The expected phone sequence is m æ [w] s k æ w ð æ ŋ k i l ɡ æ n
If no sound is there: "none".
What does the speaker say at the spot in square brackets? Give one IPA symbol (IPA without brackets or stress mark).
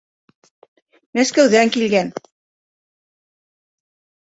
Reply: none